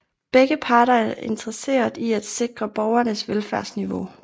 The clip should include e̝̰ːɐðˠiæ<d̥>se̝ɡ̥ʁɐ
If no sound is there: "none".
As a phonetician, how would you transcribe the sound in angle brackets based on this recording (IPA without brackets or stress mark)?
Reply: d̥